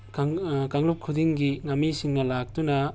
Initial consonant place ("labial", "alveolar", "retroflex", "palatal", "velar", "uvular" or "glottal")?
velar